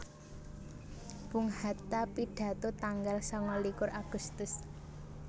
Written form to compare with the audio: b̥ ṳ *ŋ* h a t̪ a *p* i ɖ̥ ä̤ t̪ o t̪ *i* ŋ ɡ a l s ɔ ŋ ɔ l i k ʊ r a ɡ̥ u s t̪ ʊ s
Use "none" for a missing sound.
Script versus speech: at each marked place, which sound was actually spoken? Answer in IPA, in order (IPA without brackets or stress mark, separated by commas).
ŋ, p, a